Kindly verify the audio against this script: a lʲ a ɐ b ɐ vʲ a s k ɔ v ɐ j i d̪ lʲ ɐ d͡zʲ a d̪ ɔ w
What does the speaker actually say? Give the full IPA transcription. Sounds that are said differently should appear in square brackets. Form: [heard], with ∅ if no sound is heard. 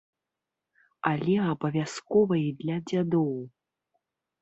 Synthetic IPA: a lʲ [ɛ] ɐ b ɐ vʲ a s k ɔ v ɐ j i d̪ lʲ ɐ d͡zʲ a d̪ ɔ w